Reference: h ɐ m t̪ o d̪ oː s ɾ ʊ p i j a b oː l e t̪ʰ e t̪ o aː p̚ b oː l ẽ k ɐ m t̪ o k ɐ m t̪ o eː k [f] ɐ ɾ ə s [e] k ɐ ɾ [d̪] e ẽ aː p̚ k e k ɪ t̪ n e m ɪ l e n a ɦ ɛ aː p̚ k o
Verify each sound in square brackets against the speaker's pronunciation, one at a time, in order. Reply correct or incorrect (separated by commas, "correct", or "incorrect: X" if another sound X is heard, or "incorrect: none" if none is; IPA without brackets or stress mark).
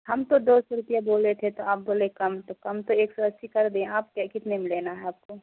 incorrect: s, incorrect: i, correct